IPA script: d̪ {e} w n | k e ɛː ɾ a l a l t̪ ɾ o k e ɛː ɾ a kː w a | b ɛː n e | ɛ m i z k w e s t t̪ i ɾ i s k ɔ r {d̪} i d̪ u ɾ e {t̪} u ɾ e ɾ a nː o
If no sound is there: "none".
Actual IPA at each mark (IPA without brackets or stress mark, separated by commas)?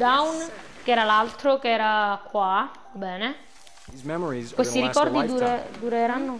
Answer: a, d̪, d̪